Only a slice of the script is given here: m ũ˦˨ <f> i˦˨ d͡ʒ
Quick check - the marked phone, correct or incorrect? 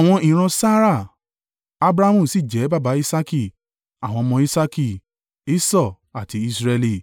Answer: incorrect